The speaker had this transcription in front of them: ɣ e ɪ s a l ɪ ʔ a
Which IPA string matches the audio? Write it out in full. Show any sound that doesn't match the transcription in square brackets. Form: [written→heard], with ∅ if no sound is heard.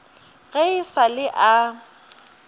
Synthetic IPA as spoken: ɣ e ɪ s a l ɪ ʔ a